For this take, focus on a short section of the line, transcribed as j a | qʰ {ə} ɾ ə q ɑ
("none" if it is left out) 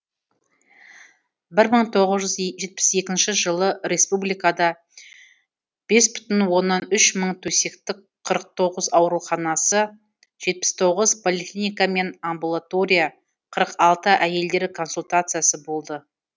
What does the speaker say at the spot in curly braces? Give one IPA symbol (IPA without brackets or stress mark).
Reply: ə